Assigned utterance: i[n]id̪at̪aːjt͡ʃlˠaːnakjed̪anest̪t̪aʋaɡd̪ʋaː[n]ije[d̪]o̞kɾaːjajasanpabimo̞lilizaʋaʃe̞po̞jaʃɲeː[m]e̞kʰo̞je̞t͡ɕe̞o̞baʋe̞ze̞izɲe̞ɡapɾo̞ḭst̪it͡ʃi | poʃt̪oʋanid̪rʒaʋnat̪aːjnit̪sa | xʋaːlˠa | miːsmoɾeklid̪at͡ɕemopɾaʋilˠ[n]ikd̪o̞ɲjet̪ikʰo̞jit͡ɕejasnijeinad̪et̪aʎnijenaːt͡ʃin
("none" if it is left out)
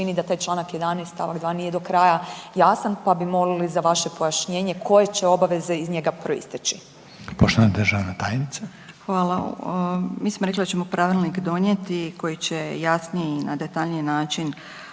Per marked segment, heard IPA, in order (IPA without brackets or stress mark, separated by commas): n, n, d̪, ɲ, n